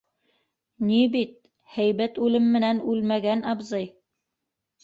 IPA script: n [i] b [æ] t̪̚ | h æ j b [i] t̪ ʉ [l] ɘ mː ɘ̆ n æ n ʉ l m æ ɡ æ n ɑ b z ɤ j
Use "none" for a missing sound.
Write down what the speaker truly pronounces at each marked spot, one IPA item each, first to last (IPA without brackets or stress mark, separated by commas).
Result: i, i, æ, l